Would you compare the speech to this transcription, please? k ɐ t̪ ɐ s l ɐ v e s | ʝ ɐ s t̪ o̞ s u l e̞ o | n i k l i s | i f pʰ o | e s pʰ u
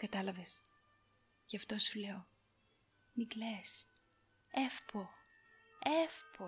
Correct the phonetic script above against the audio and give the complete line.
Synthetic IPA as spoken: k ɐ t̪ ɐ l ɐ v e s | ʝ ɐ f t̪ o̞ s u l e̞ o | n i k l e s | e f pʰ o | e f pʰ o